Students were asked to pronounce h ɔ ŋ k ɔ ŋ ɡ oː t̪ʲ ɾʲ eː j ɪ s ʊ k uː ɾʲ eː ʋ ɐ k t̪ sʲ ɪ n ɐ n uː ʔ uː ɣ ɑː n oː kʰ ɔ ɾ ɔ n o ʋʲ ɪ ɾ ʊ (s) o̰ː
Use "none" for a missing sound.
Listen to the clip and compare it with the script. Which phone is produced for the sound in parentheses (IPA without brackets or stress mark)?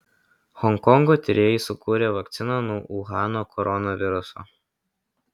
s